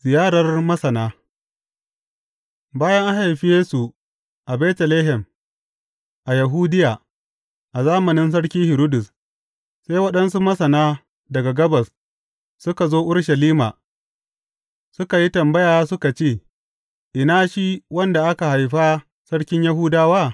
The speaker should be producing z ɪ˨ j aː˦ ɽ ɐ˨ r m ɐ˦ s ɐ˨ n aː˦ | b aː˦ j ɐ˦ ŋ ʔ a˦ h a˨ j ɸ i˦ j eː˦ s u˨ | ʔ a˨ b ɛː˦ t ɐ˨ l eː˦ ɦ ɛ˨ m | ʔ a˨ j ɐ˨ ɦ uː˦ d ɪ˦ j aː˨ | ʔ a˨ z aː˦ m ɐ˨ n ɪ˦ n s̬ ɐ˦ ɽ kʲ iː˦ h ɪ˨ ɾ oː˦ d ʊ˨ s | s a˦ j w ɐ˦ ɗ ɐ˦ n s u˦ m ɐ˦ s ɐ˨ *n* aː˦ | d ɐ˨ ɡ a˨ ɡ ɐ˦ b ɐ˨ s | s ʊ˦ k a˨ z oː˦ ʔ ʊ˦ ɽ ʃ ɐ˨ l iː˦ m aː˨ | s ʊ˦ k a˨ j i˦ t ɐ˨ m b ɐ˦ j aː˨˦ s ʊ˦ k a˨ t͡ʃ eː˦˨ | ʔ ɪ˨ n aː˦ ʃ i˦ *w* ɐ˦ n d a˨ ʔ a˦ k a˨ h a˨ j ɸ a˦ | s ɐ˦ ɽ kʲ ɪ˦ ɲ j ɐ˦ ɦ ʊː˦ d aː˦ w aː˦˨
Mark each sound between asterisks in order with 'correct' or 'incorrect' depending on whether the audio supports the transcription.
correct, correct

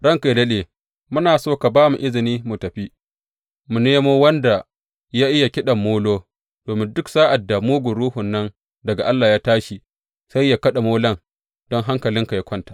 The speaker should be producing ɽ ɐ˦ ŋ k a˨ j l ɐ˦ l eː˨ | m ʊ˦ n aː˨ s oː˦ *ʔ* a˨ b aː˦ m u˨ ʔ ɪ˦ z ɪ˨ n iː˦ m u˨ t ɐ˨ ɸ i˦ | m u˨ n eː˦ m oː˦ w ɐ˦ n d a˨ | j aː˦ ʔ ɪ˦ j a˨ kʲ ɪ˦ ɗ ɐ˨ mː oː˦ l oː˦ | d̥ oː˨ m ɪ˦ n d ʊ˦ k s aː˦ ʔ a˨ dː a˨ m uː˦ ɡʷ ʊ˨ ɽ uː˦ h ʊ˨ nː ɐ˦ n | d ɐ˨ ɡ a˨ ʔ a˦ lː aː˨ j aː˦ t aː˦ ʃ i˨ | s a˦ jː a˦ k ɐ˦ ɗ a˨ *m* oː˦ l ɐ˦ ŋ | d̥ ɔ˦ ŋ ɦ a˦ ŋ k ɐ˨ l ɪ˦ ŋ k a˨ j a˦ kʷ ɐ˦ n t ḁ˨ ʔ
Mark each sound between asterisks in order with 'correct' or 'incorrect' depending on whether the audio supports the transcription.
incorrect: k, correct

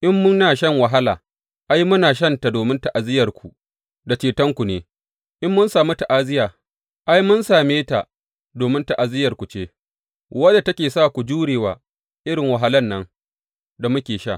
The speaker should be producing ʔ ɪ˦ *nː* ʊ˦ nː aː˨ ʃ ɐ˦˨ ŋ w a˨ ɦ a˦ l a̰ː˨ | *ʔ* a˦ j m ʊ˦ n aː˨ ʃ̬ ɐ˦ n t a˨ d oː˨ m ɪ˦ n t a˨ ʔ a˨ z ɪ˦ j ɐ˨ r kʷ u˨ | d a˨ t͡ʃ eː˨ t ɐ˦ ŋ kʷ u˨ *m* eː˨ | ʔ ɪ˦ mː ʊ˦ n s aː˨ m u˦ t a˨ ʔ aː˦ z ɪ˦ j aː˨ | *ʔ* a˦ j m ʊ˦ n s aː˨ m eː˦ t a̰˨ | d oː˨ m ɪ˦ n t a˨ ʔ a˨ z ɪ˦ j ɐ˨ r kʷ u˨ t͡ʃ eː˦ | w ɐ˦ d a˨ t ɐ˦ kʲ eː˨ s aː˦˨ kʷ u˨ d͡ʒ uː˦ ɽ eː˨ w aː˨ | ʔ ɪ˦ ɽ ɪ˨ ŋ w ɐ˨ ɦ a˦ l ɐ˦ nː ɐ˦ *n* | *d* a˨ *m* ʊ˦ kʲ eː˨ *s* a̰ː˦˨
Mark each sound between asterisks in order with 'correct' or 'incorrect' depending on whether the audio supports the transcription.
incorrect: mː, correct, incorrect: n, correct, incorrect: ŋ, correct, correct, incorrect: ʃ

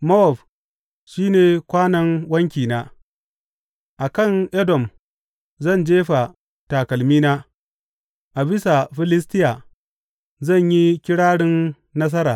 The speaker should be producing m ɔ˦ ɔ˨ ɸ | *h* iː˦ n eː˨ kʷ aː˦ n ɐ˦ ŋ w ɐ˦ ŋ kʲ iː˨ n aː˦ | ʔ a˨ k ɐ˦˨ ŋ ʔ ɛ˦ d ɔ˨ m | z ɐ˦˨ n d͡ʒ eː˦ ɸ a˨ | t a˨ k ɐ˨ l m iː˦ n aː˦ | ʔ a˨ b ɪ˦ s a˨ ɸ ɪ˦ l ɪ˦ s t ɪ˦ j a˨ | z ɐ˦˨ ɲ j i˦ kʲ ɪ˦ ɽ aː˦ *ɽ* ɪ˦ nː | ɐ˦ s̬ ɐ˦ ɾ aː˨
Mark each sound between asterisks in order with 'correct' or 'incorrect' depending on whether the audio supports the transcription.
incorrect: ʃ, correct

